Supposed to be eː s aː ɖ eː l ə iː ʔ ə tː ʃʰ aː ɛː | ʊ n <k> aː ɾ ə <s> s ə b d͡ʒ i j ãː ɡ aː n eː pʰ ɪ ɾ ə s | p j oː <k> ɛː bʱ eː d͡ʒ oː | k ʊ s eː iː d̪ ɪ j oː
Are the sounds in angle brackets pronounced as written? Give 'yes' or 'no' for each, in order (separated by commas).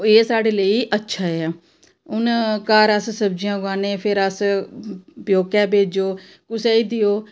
yes, yes, yes